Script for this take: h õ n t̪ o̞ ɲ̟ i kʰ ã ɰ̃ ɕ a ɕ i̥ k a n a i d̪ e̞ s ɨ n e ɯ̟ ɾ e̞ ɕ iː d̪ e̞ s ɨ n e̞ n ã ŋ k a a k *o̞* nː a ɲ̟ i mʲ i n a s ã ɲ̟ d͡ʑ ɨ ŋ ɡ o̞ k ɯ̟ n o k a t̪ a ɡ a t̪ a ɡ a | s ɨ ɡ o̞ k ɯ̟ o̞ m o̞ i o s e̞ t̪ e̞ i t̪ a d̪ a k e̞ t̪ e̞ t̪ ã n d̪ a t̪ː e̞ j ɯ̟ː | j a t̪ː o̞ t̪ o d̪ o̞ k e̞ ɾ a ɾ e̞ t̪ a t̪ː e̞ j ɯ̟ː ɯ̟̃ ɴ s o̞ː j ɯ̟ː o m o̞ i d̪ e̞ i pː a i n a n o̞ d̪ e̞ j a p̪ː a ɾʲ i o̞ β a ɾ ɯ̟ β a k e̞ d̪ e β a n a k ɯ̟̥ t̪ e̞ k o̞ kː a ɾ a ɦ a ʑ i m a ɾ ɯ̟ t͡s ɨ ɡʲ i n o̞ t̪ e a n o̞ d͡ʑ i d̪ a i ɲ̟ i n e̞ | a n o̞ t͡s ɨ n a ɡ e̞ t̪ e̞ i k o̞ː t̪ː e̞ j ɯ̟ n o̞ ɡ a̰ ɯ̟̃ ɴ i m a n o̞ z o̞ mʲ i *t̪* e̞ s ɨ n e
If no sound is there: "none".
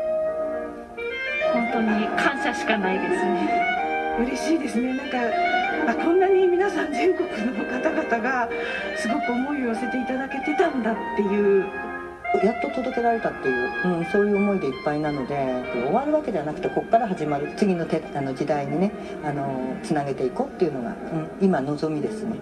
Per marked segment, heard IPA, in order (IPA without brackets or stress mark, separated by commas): õ̞, d̪